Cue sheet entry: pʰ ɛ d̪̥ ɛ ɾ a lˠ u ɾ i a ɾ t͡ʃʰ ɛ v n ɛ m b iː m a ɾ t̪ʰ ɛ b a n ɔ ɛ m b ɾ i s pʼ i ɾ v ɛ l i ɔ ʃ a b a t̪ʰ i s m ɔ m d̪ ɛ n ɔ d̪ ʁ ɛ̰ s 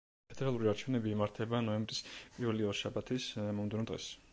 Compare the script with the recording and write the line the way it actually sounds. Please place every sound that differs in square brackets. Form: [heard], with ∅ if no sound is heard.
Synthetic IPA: pʰ ɛ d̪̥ ɛ ɾ a lˠ u ɾ i a ɾ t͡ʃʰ ɛ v n ɛ [∅] b iː m a ɾ t̪ʰ ɛ b a n ɔ ɛ m b ɾ i s pʼ i ɾ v ɛ l i ɔ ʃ a b a t̪ʰ i s m ɔ m d̪ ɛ n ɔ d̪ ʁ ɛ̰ s